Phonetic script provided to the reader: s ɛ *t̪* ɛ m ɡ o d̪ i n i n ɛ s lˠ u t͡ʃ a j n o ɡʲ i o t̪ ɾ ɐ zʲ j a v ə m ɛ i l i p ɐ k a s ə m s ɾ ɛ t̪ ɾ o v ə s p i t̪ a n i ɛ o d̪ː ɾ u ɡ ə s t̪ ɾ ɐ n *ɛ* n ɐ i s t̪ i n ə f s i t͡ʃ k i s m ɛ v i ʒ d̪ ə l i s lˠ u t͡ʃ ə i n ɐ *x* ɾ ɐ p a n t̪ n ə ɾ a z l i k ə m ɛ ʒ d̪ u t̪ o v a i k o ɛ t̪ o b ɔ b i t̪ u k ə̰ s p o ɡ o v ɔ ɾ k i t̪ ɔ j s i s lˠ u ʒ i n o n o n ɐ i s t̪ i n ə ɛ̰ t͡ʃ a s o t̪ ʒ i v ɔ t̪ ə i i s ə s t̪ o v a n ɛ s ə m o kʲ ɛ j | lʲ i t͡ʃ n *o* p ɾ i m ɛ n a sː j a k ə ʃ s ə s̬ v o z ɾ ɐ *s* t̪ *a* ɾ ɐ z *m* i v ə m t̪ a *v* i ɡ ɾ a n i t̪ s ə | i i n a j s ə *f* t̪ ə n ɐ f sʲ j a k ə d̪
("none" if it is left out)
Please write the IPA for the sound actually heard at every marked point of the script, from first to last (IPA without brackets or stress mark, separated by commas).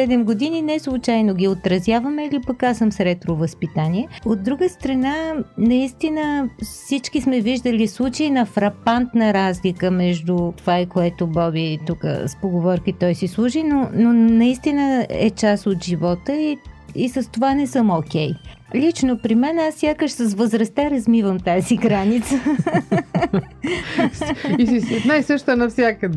d̪, a, f, o, s, a, m, z, ʃ